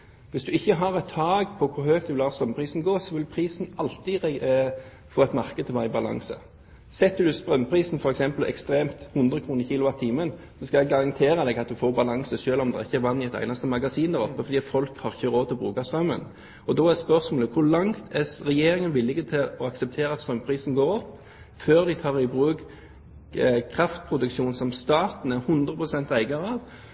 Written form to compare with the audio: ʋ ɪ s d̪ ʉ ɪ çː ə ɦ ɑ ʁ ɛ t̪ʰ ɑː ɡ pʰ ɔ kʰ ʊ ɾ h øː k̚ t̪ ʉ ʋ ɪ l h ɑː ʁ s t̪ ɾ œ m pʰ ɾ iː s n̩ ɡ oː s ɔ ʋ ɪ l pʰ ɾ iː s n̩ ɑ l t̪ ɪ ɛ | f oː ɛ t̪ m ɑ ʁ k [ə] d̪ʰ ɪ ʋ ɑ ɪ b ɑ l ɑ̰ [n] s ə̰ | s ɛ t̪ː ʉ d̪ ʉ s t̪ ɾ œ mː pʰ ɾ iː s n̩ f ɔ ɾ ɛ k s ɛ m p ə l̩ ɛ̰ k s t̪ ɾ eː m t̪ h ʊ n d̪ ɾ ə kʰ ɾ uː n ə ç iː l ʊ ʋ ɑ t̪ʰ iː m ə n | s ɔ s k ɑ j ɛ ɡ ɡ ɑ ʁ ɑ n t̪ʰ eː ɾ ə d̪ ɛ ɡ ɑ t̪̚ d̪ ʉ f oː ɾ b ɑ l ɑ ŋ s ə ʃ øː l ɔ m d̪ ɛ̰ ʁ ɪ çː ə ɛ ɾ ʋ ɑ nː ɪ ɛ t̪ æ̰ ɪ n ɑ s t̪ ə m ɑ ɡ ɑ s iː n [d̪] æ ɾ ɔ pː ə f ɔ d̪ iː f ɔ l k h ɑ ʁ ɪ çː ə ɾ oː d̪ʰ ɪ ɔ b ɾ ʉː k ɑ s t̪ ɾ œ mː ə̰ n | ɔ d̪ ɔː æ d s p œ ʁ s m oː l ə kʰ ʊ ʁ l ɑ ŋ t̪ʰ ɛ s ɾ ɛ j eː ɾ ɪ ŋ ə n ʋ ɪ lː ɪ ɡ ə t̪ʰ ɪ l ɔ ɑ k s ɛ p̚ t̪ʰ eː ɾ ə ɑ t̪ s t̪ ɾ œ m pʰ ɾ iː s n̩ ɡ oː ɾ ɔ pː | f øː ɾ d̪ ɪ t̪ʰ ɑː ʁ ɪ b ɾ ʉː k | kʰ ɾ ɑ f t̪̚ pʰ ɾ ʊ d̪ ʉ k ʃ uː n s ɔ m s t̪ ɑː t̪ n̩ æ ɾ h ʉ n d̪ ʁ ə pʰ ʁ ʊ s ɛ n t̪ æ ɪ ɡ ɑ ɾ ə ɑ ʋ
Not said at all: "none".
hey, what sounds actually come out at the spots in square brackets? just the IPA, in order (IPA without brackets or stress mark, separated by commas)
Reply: ə, ŋ, d̪